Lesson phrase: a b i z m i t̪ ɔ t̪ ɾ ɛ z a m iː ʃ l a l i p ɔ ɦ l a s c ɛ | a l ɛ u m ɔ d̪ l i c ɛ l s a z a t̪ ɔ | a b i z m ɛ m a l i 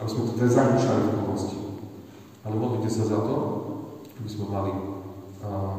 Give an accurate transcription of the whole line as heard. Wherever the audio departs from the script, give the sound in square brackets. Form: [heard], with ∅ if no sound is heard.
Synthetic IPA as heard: a b i z m [ɛ] t̪ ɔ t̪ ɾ ɛ z a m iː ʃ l a l i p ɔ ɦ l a s c [i] | a l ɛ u m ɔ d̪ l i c ɛ [∅] s a z a t̪ ɔ | a b i z m ɛ m a l i